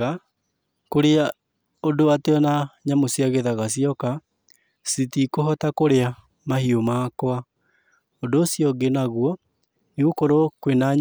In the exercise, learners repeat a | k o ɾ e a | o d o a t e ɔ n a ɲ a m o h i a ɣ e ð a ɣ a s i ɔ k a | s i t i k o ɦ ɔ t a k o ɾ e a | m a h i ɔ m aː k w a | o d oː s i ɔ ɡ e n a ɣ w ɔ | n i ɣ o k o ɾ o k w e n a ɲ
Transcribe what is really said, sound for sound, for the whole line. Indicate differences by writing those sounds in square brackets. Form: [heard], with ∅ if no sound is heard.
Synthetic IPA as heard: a | k o ɾ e a | o d o a t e ɔ n a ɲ a m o [s] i a ɣ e ð a ɣ a s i ɔ k a | s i t i k o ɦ ɔ t a k o ɾ e a | m a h i [o] m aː k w a | o d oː s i ɔ ɡ e n a ɣ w ɔ | n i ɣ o k o ɾ o k w e n a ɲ